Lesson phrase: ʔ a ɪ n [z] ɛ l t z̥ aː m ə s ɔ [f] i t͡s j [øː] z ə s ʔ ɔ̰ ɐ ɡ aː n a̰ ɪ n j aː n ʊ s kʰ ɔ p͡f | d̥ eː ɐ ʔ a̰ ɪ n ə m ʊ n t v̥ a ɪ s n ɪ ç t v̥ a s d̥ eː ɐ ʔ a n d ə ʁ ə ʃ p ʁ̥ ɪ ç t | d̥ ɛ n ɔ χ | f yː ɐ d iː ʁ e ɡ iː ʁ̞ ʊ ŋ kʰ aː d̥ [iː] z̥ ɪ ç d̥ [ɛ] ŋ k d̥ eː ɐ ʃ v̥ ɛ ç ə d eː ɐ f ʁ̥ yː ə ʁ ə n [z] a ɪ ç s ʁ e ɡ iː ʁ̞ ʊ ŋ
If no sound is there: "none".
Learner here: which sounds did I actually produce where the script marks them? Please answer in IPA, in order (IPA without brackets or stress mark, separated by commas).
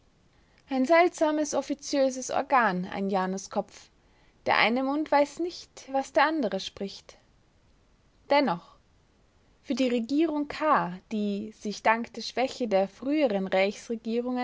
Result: z, f, øː, iː, a, ʁ